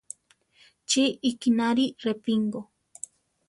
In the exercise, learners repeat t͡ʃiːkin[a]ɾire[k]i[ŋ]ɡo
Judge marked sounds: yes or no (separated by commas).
yes, no, yes